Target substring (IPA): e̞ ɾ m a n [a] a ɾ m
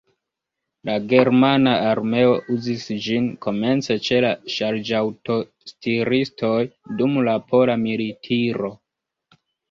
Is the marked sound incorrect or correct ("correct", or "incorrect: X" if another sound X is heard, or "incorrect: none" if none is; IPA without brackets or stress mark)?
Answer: correct